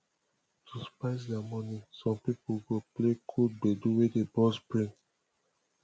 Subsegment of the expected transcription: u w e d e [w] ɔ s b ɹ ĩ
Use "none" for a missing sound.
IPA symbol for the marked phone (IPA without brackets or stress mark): b